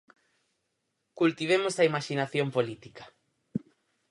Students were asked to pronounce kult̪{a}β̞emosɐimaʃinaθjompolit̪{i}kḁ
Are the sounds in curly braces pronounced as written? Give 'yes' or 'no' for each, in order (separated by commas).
no, yes